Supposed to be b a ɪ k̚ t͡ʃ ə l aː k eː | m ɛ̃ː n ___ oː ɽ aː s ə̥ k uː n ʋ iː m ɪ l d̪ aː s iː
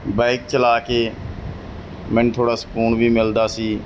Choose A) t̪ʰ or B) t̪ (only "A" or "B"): A